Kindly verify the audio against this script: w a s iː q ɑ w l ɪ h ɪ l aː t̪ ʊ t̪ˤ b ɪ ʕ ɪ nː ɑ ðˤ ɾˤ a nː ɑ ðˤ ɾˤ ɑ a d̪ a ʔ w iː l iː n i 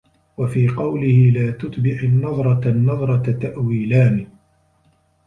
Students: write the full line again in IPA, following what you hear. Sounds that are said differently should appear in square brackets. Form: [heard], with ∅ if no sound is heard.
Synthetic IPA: w a [f] iː q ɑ w l ɪ h ɪ l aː t̪ ʊ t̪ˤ b ɪ ʕ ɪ nː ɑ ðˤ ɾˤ [ɑ] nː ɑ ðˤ ɾˤ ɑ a [t̪] a ʔ w iː l [aː] n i